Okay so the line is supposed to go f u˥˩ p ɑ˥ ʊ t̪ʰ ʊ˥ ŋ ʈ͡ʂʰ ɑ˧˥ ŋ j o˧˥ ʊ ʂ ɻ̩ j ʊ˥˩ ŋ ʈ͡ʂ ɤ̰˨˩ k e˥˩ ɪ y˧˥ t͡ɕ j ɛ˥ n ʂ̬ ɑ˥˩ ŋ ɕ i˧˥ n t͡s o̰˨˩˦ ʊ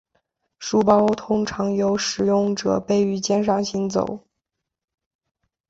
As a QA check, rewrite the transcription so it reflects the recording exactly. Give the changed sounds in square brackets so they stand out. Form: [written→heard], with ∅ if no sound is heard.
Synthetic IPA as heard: [f→ʂ] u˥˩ p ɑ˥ ʊ t̪ʰ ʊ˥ ŋ ʈ͡ʂʰ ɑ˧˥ ŋ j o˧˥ ʊ ʂ ɻ̩ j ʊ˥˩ ŋ ʈ͡ʂ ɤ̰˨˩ [k→p] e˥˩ ɪ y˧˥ t͡ɕ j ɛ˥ n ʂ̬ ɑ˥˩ ŋ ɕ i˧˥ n t͡s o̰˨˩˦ ʊ